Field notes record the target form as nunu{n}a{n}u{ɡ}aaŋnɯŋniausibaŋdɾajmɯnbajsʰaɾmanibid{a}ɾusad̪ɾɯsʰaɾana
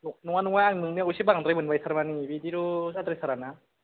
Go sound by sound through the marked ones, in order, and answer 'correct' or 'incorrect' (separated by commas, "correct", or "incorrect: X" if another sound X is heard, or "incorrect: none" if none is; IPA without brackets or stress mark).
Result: incorrect: ŋ, correct, incorrect: ŋ, incorrect: i